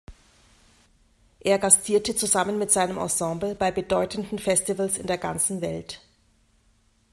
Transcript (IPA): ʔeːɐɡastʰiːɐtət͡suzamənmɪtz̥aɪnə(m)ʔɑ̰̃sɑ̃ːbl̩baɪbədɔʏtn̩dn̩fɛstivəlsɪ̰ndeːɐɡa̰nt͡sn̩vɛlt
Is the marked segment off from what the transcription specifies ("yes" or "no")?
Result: no